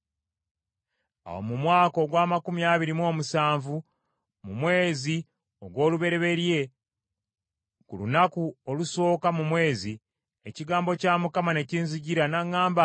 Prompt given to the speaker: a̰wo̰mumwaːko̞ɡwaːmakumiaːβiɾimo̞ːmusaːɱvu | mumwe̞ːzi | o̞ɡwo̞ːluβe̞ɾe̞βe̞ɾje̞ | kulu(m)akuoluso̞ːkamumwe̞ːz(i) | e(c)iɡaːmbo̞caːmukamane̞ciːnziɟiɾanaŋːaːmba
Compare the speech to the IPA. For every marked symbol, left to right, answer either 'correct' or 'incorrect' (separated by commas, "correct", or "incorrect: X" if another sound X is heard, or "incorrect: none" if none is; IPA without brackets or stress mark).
incorrect: n, correct, correct